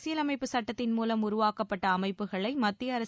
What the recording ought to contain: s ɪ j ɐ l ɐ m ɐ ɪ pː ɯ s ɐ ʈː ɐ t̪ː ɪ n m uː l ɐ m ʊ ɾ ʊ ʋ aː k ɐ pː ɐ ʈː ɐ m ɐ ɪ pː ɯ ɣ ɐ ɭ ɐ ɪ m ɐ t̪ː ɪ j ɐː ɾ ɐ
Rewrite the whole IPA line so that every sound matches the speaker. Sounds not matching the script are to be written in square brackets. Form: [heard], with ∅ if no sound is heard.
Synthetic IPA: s ɪ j ɐ l ɐ m ɐ ɪ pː ɯ s ɐ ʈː ɐ t̪ː ɪ n m uː l ɐ m ʊ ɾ ʊ ʋ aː k ɐ pː ɐ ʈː [ɐː] m ɐ ɪ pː ɯ ɣ ɐ ɭ ɐ ɪ m ɐ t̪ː ɪ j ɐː ɾ ɐ